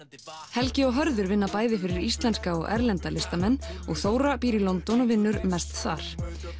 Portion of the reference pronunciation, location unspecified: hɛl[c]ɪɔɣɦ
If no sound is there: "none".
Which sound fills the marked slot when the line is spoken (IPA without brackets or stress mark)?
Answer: c